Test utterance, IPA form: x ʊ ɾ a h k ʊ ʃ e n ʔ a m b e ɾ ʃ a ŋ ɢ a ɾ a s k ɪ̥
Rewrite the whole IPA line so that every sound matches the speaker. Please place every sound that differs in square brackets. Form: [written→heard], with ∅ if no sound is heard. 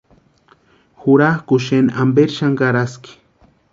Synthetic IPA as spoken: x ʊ ɾ a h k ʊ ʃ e n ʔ a m b e ɾ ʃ a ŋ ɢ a ɾ a s k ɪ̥